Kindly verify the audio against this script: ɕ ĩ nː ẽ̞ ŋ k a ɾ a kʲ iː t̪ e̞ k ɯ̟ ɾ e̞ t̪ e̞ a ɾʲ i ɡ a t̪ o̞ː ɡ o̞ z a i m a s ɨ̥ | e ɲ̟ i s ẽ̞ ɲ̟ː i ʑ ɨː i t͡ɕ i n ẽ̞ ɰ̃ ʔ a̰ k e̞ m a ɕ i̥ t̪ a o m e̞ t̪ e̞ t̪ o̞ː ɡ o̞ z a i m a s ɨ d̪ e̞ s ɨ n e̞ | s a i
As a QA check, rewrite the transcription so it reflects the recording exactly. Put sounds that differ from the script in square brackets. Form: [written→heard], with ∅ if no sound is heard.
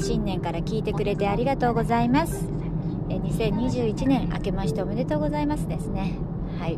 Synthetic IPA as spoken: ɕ ĩ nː ẽ̞ ŋ k a ɾ a kʲ iː t̪ e̞ k ɯ̟ ɾ e̞ t̪ e̞ a ɾʲ i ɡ a t̪ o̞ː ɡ o̞ z a i m a s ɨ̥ | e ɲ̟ i s ẽ̞ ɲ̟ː i ʑ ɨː i t͡ɕ i n ẽ̞ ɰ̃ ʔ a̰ k e̞ m a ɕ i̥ t̪ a o m e̞ [t̪→d̪] e̞ t̪ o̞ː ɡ o̞ z a i m a s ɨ d̪ e̞ s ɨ n e̞ | [s→h] a i